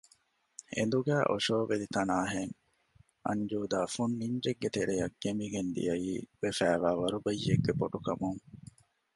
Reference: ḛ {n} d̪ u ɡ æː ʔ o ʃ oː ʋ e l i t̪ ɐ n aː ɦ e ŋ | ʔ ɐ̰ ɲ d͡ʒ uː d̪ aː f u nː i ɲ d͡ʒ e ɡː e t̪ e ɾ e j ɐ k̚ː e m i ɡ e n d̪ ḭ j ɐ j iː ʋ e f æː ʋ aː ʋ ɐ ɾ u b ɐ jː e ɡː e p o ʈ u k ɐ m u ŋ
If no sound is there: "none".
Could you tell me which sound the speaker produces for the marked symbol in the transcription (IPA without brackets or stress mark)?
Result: n